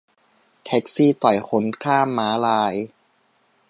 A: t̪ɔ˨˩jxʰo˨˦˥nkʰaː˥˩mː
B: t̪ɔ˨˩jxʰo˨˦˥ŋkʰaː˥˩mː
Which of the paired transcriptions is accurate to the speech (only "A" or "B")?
A